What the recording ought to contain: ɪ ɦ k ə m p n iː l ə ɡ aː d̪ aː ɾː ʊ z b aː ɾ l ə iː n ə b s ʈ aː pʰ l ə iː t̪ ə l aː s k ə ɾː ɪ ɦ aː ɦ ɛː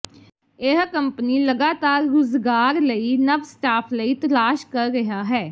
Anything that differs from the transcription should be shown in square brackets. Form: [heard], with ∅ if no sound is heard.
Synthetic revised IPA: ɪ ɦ k ə m p n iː l ə ɡ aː [t̪] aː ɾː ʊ z [ɡ] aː ɾ l ə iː n ə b s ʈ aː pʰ l ə iː t̪ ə l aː [ʃ] k ə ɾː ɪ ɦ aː ɦ ɛː